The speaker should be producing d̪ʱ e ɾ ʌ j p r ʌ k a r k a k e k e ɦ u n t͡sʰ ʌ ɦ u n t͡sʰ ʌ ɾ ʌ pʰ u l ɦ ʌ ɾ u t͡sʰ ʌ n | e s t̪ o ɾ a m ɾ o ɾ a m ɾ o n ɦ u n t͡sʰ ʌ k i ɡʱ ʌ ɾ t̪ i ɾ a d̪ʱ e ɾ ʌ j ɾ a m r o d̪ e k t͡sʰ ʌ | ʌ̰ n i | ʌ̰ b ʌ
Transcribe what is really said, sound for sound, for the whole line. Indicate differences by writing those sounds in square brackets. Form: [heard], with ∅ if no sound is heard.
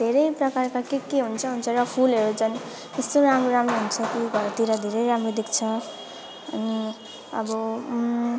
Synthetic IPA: d̪ʱ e ɾ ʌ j p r ʌ k a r k a k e k e ɦ u n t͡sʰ ʌ ɦ u n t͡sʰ ʌ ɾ ʌ pʰ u l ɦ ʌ ɾ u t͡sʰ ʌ n | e s t̪ o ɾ a m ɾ o ɾ a m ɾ o [∅] ɦ u n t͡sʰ ʌ k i ɡʱ ʌ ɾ t̪ i ɾ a d̪ʱ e ɾ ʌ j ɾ a m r o d̪ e k t͡sʰ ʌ | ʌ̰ n i | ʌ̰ b ʌ